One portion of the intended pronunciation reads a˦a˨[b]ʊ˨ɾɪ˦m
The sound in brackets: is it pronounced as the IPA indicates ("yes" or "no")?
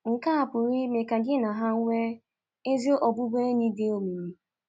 no